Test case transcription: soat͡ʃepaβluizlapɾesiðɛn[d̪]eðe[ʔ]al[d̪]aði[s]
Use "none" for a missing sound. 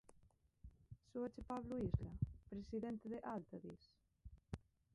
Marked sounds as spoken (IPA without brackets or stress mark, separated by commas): t̪, ʔ, t̪, s